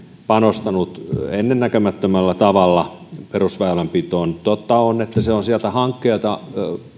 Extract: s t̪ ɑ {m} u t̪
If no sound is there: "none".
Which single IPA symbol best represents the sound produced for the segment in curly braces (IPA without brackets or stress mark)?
n